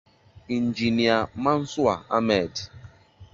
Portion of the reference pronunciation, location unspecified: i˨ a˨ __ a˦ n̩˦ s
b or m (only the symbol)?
m